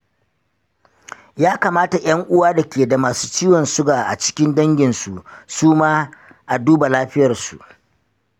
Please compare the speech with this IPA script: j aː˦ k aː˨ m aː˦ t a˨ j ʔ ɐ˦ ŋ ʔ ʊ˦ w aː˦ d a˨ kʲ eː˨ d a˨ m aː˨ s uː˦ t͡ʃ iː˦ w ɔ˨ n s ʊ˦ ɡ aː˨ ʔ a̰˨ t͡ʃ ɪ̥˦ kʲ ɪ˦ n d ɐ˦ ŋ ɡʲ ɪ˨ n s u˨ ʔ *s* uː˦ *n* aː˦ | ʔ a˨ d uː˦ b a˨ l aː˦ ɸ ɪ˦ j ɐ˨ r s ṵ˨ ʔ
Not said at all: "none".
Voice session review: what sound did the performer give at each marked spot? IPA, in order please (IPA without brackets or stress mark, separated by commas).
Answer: s, m